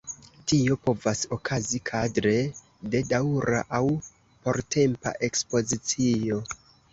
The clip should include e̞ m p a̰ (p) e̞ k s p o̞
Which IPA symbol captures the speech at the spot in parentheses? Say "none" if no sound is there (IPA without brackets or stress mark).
ʔ